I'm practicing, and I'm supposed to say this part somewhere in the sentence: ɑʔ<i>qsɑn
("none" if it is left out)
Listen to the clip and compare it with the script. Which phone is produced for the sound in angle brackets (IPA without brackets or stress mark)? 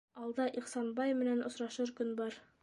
i